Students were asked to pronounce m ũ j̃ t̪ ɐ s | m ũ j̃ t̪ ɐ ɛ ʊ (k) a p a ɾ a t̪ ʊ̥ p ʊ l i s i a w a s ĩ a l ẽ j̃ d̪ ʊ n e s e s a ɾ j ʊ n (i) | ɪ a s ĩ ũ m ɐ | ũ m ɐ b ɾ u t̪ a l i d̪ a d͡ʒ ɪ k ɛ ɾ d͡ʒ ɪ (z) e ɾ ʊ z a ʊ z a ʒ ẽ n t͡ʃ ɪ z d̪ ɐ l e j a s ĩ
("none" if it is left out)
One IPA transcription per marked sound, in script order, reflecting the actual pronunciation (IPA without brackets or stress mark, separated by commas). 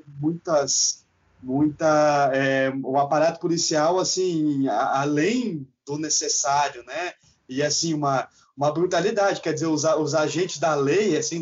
none, ɛ, z